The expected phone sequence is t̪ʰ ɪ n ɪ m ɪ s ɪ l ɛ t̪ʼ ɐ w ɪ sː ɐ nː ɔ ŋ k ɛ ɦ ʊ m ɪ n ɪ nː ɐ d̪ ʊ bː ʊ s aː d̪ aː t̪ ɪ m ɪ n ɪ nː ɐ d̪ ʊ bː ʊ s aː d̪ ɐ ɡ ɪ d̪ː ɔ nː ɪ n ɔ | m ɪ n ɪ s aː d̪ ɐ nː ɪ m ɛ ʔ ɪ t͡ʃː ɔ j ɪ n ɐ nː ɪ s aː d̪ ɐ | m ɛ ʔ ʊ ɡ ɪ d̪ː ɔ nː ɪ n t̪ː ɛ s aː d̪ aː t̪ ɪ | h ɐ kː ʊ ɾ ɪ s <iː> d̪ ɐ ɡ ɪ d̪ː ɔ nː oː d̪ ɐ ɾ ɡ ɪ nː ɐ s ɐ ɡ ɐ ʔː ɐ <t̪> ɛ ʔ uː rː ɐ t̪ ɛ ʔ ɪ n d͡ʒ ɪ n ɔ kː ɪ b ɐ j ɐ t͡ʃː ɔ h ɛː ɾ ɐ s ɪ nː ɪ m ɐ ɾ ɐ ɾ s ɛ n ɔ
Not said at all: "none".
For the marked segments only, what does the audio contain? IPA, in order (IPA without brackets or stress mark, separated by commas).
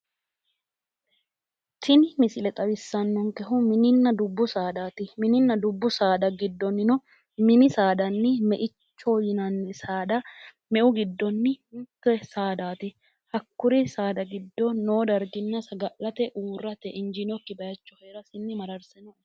aː, t̪